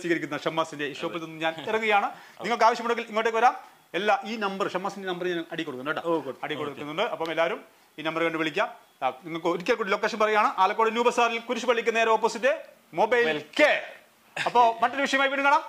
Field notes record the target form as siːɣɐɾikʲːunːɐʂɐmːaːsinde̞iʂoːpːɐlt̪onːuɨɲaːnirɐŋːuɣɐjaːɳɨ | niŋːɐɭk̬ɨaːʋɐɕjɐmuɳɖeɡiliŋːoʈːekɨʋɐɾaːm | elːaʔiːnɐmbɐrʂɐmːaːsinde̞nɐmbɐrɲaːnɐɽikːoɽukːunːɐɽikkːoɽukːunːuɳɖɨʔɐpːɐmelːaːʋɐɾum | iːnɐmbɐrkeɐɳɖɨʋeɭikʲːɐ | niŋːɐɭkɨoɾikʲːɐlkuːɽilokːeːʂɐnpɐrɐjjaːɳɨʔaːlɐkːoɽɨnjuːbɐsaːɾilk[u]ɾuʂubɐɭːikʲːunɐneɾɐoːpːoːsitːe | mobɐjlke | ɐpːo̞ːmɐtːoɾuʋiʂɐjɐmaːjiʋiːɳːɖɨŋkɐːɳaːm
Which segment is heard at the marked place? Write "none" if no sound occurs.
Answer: u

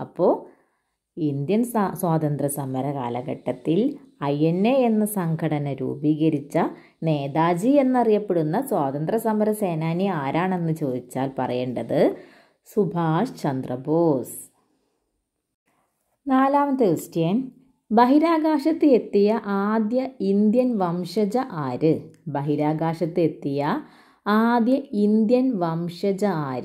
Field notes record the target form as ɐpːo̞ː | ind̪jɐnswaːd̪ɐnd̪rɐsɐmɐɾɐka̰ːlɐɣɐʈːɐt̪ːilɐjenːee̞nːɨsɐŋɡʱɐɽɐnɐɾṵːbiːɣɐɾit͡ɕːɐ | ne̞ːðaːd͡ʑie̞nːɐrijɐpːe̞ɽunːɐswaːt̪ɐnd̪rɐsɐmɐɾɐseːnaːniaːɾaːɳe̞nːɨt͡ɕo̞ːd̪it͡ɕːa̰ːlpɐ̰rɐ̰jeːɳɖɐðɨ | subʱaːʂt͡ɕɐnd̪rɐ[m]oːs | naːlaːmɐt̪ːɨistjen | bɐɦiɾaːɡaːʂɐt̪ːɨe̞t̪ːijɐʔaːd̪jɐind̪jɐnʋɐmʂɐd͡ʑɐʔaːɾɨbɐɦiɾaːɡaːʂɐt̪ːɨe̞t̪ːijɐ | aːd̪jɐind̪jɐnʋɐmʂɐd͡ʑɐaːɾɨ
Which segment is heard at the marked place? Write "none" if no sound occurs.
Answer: b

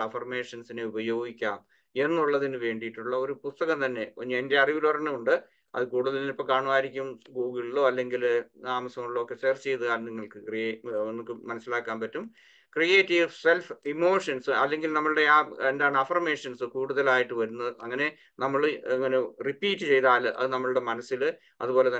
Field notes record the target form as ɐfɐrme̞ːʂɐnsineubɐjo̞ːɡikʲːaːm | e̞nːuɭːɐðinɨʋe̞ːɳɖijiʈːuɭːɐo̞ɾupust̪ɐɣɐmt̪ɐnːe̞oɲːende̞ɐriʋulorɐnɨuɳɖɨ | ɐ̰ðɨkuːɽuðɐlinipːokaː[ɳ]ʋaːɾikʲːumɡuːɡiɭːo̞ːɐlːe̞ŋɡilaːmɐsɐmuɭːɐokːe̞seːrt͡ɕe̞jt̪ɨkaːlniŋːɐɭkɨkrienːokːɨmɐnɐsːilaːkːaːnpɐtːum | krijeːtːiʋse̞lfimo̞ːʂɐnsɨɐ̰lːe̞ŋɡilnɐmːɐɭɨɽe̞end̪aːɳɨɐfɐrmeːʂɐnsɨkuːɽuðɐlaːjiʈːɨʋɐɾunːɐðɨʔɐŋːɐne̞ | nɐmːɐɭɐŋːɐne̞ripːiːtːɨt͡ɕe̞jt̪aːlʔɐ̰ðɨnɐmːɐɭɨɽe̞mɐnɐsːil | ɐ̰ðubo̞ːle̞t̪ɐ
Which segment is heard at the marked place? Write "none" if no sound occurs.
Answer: ɳ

